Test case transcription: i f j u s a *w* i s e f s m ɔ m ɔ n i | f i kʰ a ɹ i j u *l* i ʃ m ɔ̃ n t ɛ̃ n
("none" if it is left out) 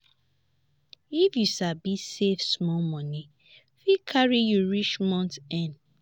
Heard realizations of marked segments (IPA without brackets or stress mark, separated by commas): b, ɹ